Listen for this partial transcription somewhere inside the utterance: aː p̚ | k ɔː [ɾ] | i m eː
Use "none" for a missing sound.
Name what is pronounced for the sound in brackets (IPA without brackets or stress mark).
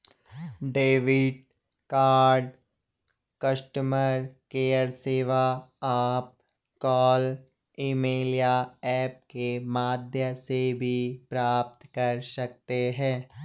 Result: l